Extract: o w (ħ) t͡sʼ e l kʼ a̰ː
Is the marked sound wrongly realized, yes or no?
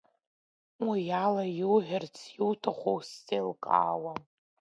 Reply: yes